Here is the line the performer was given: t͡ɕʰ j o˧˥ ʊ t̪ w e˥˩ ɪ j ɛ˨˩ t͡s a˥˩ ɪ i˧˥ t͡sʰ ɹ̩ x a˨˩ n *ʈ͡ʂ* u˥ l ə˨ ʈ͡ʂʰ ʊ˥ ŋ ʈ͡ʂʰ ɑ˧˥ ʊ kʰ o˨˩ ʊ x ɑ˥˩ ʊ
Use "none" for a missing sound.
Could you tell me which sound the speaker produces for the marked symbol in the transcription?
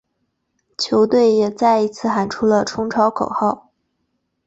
ʈ͡ʂʰ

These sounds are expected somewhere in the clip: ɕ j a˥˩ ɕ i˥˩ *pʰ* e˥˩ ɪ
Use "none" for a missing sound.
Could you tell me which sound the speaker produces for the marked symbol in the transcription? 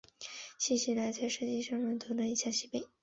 p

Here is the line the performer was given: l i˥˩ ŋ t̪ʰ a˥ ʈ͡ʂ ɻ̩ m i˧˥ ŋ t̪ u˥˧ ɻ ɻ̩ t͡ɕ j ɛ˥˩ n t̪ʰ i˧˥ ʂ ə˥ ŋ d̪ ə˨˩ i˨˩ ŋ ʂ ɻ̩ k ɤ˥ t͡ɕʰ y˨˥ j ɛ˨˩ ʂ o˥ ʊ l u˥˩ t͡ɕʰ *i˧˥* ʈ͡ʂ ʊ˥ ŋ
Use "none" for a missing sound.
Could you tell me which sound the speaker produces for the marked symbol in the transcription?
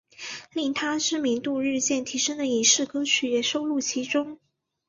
i˧˥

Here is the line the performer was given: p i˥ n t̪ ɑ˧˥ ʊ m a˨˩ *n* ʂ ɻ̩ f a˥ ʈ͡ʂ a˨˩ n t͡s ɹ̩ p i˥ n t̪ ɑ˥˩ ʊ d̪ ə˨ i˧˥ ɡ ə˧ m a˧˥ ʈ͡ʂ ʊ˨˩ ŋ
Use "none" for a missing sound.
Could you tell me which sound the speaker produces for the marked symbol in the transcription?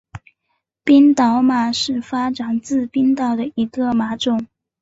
none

